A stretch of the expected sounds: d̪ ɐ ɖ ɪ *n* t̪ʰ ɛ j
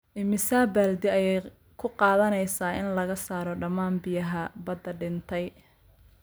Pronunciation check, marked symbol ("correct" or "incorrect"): correct